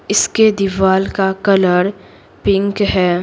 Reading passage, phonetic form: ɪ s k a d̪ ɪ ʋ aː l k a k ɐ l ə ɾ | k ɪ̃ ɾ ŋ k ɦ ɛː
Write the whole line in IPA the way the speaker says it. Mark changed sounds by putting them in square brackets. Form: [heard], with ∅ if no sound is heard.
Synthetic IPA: ɪ s k [e] d̪ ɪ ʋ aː l k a k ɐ l ə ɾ | [p] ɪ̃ [∅] ŋ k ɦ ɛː

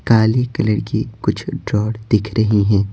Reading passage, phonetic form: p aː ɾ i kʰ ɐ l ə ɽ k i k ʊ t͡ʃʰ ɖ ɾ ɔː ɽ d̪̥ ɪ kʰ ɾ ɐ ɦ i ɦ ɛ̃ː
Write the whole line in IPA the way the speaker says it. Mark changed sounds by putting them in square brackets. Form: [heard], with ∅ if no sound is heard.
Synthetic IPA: [k] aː [l] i [k] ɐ l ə ɽ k i k ʊ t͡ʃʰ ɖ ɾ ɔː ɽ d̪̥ ɪ kʰ ɾ ɐ ɦ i ɦ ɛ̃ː

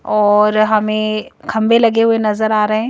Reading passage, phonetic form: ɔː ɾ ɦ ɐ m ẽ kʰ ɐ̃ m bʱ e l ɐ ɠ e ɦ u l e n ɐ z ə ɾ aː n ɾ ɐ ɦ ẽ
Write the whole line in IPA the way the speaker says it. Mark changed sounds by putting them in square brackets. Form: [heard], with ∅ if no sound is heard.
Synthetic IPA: ɔː ɾ ɦ ɐ m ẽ kʰ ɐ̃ m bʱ e l ɐ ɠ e ɦ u [∅] e n ɐ z ə ɾ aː [∅] ɾ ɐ ɦ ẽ

